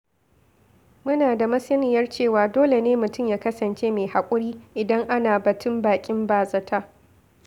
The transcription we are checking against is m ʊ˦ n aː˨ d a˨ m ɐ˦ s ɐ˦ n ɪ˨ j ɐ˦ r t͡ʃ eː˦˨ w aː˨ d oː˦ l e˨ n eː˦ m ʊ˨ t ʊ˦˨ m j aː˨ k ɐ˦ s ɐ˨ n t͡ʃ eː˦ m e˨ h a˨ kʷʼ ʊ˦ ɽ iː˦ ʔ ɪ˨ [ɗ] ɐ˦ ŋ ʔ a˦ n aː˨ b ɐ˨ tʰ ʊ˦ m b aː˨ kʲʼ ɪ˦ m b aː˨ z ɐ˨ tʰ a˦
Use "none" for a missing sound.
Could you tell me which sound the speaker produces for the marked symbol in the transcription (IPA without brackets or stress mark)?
d